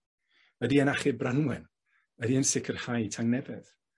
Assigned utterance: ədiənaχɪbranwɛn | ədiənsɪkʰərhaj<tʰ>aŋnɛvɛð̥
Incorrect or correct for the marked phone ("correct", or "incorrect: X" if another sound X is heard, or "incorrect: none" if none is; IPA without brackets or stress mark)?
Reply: correct